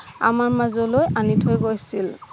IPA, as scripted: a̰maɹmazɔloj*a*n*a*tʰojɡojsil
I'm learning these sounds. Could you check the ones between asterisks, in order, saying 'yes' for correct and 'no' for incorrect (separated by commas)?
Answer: yes, no